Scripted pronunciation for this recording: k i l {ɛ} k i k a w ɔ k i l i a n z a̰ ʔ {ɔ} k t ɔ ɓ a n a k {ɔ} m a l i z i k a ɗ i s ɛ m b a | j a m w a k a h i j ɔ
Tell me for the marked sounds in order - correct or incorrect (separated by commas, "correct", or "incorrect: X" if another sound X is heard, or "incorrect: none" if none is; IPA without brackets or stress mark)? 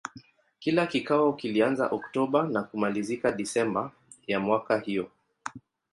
incorrect: a, correct, incorrect: u